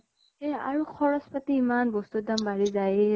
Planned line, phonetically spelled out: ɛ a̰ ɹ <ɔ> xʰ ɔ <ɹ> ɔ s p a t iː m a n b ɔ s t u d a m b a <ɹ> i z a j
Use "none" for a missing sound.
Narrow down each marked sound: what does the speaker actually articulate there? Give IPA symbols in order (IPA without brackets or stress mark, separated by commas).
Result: u, ɹ, ɹ